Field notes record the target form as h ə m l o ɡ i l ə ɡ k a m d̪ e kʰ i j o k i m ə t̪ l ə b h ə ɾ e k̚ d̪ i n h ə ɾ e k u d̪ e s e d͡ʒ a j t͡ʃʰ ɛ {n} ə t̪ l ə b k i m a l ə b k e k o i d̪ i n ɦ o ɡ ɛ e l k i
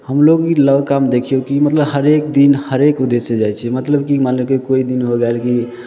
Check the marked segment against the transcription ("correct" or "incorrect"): incorrect